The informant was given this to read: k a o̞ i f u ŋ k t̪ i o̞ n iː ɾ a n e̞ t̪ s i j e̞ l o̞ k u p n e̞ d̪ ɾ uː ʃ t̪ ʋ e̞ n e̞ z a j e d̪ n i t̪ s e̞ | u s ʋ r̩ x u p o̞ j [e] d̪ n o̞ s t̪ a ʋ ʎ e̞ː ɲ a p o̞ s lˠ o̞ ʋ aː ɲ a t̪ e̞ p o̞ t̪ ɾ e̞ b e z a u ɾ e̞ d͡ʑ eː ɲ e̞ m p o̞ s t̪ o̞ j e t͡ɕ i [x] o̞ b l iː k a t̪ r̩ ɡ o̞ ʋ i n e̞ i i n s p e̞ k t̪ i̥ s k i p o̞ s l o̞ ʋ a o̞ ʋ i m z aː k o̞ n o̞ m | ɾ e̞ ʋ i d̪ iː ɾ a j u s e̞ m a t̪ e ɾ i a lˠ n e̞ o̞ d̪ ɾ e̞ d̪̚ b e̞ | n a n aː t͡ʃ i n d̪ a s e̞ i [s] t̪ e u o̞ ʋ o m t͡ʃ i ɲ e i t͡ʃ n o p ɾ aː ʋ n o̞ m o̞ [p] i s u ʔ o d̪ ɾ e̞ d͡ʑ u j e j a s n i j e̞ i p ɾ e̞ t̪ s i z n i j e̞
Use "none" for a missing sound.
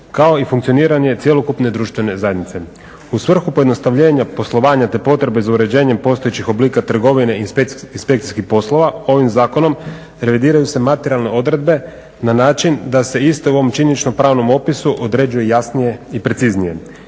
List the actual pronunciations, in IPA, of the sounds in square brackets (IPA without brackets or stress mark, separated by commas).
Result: e, x, s, p